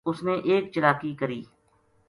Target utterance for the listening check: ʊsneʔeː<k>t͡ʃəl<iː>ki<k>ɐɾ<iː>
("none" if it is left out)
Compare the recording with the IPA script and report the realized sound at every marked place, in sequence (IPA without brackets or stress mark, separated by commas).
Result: k, aː, k, iː